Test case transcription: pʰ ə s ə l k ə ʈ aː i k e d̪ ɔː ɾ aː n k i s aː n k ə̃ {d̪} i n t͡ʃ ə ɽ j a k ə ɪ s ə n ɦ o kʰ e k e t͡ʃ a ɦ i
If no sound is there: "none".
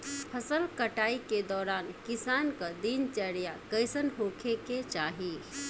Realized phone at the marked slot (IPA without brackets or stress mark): d̪